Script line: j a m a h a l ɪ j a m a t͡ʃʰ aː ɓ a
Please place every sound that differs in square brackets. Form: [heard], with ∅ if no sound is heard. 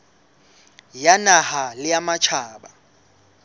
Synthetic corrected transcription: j a [n] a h a l ɪ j a m a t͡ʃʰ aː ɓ a